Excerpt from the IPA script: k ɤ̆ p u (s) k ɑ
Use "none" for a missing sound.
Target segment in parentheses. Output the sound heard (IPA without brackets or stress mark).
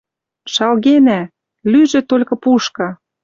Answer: ʃ